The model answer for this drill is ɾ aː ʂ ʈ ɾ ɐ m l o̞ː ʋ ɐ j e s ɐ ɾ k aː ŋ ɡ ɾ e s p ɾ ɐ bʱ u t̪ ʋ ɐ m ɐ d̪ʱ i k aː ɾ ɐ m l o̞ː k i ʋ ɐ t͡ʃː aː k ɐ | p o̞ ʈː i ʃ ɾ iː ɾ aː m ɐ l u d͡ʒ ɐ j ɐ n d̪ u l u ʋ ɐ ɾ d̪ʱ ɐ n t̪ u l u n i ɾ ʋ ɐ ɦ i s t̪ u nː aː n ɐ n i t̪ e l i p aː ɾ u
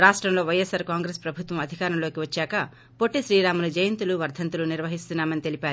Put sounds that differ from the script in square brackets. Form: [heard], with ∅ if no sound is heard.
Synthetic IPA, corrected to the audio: ɾ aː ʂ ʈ ɾ ɐ m l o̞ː ʋ ɐ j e s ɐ ɾ k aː ŋ ɡ ɾ e s p ɾ ɐ bʱ u t̪ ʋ ɐ m ɐ d̪ʱ i k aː ɾ ɐ m l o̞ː k i ʋ ɐ t͡ʃː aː k ɐ | p o̞ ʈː i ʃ ɾ iː ɾ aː m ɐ l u d͡ʒ ɐ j ɐ n [t̪] u l u ʋ ɐ ɾ d̪ʱ ɐ n t̪ u l u n i ɾ ʋ ɐ ɦ i s t̪ u nː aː [m] ɐ n i t̪ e l i p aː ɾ u

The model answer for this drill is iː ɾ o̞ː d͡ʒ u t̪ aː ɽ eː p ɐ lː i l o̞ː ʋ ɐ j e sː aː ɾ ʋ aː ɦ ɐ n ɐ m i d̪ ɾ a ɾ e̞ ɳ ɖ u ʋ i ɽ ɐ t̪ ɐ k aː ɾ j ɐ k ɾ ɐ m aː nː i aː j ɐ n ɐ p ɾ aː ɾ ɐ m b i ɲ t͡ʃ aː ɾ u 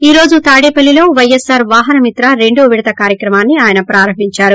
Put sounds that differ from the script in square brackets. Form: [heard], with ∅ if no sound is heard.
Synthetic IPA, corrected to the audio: iː ɾ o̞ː d͡ʒ u t̪ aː ɽ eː p ɐ lː i l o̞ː ʋ ɐ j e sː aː ɾ ʋ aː ɦ ɐ n ɐ m i [t̪] ɾ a ɾ e̞ ɳ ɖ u ʋ i ɽ ɐ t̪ ɐ k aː ɾ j ɐ k ɾ ɐ m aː nː i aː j ɐ n ɐ p ɾ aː ɾ ɐ m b i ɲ t͡ʃ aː ɾ u

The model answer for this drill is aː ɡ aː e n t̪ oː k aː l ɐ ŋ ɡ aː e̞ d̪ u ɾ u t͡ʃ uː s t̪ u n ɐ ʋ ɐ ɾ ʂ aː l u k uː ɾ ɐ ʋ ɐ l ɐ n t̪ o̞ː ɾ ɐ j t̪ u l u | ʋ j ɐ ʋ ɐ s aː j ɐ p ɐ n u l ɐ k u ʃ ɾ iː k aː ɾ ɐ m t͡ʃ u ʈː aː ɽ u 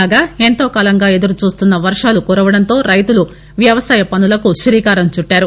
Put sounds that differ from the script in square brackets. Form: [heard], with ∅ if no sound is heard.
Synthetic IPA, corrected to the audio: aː ɡ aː e n t̪ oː k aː l ɐ ŋ ɡ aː e̞ d̪ u ɾ u t͡ʃ uː s t̪ u [nː] ɐ ʋ ɐ ɾ ʂ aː l u k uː ɾ ɐ ʋ ɐ [ɽ] ɐ n t̪ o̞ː ɾ ɐ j t̪ u l u | ʋ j ɐ ʋ ɐ s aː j ɐ p ɐ n u l ɐ k u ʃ ɾ iː k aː ɾ ɐ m t͡ʃ u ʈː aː [ɾ] u

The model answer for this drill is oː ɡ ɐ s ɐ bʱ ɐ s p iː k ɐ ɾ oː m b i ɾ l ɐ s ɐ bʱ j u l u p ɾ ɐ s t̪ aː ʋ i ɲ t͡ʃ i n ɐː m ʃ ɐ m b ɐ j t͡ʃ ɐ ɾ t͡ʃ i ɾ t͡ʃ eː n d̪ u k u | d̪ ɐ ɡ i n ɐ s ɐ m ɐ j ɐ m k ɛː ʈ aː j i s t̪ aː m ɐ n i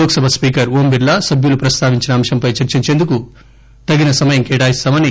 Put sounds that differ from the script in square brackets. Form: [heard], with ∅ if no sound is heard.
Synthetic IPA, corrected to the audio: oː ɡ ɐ s ɐ bʱ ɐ s p iː k ɐ ɾ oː m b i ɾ l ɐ s ɐ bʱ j u l u p ɾ ɐ s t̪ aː ʋ i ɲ t͡ʃ i n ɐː m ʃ ɐ m [p] ɐ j t͡ʃ ɐ ɾ t͡ʃ i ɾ t͡ʃ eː n d̪ u k u | [t̪] ɐ ɡ i n ɐ s ɐ m ɐ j ɐ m k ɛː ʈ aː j i s t̪ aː m ɐ n i

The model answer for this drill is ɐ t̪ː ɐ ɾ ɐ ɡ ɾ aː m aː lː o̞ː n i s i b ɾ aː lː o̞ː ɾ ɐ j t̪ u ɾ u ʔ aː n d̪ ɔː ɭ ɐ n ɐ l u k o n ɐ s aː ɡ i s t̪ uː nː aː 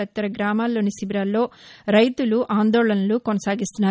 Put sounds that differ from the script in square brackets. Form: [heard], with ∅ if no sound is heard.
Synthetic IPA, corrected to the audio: ɐ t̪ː ɐ ɾ ɐ ɡ ɾ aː m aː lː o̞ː n i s i b ɾ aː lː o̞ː ɾ ɐ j t̪ u [l] u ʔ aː n d̪ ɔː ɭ ɐ n ɐ l u k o n ɐ s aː ɡ i s t̪ [u] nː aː

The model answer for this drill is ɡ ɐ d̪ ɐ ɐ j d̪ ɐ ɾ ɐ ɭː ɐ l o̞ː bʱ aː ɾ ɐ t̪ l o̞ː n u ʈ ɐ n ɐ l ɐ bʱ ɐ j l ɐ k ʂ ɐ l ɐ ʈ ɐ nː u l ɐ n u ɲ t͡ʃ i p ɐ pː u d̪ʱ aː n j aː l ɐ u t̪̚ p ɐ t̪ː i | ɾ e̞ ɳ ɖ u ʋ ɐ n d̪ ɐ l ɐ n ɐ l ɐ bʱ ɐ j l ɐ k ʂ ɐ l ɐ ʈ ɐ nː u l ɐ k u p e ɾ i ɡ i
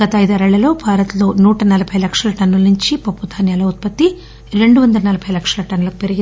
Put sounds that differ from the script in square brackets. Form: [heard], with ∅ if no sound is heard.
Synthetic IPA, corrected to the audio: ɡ ɐ [t̪] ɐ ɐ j d̪ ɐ ɾ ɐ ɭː ɐ l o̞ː bʱ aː ɾ ɐ t̪ l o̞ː n [uː] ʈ ɐ n ɐ l ɐ bʱ ɐ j l ɐ k ʂ ɐ l ɐ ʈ ɐ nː u l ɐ n u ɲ t͡ʃ i p ɐ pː u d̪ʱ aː n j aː l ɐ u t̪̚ p ɐ t̪ː i | ɾ e̞ ɳ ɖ u ʋ ɐ n d̪ ɐ l ɐ n ɐ l ɐ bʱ ɐ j l ɐ k ʂ ɐ l ɐ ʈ ɐ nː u l ɐ k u p e ɾ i ɡ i

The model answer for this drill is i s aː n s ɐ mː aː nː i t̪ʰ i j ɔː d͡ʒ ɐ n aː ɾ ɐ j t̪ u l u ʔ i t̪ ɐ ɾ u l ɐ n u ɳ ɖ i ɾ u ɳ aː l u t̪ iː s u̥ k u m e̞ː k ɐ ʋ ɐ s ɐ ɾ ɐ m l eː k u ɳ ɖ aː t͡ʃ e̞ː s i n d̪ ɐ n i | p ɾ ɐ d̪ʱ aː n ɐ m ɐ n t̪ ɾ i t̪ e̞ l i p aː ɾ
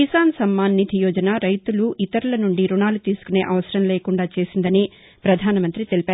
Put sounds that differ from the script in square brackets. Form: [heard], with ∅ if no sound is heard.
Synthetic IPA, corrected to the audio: i s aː n s ɐ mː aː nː i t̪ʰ i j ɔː d͡ʒ ɐ n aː ɾ ɐ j t̪ u l u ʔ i t̪ ɐ ɾ u l ɐ n u ɳ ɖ i ɾ u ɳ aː l u t̪ iː s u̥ k u [n] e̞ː [ʔ] ɐ ʋ ɐ s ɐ ɾ ɐ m l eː k u ɳ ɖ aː t͡ʃ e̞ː s i n d̪ ɐ n i | p ɾ ɐ d̪ʱ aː n ɐ m ɐ n t̪ ɾ i t̪ e̞ l i p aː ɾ

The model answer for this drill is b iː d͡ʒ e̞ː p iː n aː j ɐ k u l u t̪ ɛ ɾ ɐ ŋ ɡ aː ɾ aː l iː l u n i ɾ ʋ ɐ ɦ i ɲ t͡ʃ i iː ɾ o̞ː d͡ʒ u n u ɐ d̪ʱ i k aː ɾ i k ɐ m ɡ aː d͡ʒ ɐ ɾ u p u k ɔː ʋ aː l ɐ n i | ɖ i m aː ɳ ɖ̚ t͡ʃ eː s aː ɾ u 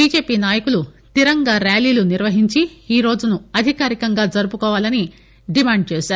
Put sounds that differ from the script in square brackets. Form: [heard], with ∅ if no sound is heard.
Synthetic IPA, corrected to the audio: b iː d͡ʒ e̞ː p iː n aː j ɐ k u l u t̪ [i] ɾ ɐ ŋ ɡ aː ɾ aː l iː l u n i ɾ ʋ ɐ ɦ i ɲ t͡ʃ i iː ɾ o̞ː d͡ʒ u n u ɐ d̪ʱ i k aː ɾ i k ɐ [ŋ] ɡ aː d͡ʒ ɐ ɾ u p u k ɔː ʋ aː l ɐ n i | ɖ i m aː ɳ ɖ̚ t͡ʃ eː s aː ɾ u

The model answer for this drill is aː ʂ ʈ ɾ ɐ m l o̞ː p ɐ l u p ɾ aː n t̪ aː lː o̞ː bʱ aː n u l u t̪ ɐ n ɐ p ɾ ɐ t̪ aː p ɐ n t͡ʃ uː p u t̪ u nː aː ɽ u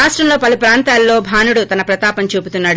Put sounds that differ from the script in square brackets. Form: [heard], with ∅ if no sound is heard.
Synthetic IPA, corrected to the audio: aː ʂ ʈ ɾ ɐ m l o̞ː p ɐ l u p ɾ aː n t̪ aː lː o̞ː bʱ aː n u [ɽ] u t̪ ɐ n ɐ p ɾ ɐ t̪ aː p ɐ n t͡ʃ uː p u t̪ u nː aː ɽ u

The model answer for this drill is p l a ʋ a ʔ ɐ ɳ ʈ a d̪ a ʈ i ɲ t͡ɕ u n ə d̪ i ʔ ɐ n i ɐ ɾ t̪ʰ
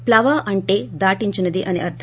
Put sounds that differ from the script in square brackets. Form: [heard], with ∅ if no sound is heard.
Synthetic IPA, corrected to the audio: p l a ʋ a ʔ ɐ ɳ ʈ [e] d̪ a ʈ i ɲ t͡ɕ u n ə d̪ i ʔ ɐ n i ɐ ɾ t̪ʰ

